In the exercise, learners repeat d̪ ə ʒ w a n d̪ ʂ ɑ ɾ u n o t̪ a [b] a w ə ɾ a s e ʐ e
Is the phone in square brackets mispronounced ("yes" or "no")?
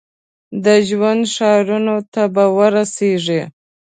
no